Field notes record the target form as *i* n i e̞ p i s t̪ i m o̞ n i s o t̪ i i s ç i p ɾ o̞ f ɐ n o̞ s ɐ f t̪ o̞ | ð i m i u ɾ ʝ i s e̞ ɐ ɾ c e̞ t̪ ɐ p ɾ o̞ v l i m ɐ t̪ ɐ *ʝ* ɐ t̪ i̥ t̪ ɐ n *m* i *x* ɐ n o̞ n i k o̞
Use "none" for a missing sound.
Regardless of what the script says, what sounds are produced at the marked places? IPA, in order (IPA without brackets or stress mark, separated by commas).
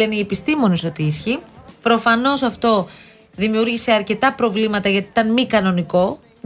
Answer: e, ʝ, m, k